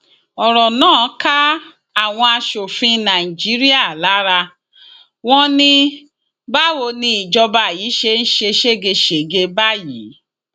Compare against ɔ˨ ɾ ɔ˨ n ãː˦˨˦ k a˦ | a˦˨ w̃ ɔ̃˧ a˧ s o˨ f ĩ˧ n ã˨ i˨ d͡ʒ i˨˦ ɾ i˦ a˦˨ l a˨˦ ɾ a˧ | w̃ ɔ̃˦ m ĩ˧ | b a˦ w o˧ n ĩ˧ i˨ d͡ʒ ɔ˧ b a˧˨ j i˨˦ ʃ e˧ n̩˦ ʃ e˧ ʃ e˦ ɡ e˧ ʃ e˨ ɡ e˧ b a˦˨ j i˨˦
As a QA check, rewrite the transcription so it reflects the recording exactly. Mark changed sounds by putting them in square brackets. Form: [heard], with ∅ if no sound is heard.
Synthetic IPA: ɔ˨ ɾ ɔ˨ n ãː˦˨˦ k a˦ | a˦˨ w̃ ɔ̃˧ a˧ [ʃ] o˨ f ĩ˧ n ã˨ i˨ d͡ʒ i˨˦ ɾ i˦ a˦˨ l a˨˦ ɾ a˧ | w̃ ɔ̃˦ [n] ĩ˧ | b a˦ w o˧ n ĩ˧ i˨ d͡ʒ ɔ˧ b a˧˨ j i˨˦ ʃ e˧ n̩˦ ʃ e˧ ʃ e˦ ɡ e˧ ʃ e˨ ɡ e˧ b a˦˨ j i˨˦